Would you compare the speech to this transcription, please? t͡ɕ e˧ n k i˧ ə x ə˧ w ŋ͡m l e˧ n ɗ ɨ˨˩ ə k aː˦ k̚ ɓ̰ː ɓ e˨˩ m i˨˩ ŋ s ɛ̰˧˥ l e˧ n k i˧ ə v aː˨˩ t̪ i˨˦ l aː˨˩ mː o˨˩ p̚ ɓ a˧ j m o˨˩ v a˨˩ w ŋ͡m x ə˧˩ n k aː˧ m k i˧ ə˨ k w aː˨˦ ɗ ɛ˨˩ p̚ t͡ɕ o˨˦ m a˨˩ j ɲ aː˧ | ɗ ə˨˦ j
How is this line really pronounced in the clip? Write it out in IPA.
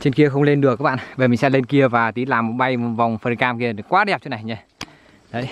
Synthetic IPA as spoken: t͡ɕ e˧ n k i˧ ə x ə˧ w ŋ͡m l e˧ n ɗ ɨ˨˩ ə k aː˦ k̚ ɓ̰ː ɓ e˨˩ m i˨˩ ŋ s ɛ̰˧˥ l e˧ n k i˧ ə v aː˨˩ t̪ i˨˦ l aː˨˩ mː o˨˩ t̚ ɓ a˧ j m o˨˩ v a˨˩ w ŋ͡m f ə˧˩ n k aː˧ m k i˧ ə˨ k w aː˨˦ ɗ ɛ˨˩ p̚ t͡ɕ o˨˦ n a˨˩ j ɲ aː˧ | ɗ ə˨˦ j